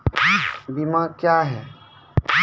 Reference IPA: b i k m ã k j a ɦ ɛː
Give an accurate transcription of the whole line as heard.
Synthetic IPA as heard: b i m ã k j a ɦ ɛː